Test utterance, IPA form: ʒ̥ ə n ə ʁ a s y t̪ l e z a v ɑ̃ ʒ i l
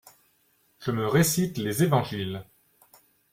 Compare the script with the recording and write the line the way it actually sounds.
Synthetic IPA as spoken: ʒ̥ ə m ə ʁ e s i t̪ l e z e v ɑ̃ ʒ i l